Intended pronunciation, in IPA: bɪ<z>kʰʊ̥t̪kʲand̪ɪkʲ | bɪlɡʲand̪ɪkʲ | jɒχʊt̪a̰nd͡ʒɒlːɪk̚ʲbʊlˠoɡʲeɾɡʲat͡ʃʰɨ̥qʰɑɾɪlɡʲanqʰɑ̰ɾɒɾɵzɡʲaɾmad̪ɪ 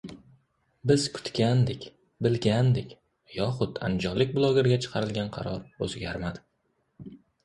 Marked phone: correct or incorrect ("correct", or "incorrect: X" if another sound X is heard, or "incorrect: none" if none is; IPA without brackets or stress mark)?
correct